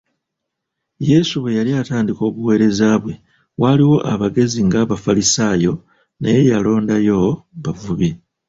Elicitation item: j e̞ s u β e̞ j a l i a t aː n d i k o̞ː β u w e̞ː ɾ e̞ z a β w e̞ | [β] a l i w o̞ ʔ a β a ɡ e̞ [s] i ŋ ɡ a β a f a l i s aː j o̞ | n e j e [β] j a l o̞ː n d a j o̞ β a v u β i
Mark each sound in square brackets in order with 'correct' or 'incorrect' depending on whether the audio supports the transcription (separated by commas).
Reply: incorrect, incorrect, incorrect